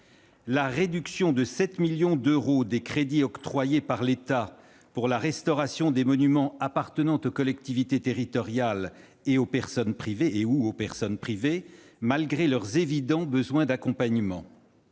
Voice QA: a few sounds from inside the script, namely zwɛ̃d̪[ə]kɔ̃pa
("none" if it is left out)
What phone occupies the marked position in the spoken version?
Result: a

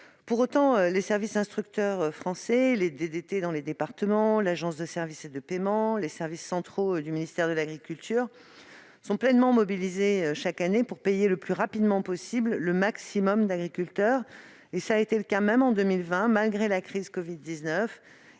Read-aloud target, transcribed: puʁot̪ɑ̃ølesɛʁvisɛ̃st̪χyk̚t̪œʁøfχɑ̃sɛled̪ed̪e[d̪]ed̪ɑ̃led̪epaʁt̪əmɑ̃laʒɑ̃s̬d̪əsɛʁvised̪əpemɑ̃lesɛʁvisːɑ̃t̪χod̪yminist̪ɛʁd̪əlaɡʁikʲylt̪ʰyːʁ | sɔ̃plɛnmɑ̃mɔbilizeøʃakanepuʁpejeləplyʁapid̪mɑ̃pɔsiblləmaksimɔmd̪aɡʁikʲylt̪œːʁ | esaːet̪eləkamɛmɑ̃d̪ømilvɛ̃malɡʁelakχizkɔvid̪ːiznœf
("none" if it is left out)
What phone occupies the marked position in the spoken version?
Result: t̪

